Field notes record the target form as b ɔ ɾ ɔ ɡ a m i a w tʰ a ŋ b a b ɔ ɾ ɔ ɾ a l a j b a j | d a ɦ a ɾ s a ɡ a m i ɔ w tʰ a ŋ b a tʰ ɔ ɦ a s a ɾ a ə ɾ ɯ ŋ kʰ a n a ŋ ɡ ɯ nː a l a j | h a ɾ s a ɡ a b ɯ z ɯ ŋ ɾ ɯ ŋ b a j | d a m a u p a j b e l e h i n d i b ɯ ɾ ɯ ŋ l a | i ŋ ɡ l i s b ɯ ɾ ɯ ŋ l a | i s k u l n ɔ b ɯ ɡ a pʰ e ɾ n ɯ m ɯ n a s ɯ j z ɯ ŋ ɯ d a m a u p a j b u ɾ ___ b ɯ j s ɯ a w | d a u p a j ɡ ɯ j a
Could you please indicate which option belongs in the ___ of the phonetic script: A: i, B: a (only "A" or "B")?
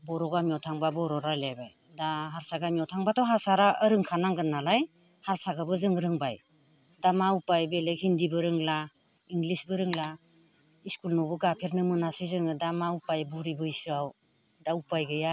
A